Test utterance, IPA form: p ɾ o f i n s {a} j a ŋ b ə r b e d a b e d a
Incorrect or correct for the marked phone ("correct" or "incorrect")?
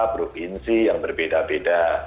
incorrect